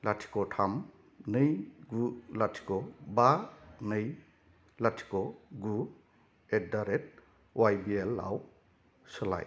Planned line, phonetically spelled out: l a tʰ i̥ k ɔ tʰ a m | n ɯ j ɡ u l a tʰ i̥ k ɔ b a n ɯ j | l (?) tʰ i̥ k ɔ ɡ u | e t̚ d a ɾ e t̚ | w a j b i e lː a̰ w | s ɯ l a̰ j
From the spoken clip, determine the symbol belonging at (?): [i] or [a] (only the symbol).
a